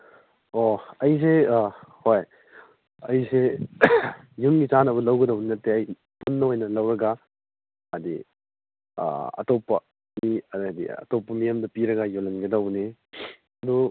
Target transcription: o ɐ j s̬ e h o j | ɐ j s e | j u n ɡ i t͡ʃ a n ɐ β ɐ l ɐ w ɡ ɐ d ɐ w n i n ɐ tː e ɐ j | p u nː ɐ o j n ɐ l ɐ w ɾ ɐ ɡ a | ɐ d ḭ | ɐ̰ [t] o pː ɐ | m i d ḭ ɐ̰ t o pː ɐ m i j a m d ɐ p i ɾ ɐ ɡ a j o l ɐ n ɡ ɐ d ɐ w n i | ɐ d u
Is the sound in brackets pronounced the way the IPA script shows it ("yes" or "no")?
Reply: yes